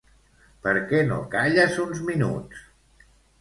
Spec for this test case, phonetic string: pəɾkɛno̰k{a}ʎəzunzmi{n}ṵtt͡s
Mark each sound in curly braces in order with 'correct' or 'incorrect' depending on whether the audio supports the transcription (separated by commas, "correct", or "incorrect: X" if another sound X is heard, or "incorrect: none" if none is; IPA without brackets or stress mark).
correct, correct